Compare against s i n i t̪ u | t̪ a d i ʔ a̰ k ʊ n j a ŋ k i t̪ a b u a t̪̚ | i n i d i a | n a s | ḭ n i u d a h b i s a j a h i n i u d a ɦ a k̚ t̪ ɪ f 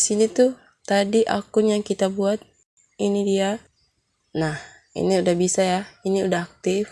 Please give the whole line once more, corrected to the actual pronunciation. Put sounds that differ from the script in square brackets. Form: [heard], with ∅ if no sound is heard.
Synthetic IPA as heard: s i n i t̪ u | t̪ a d i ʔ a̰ k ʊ n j a ŋ k i t̪ a b u a t̪̚ | i n i d i a | n a [h] | ḭ n i u d a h b i s a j a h i n i u d a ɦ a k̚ t̪ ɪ f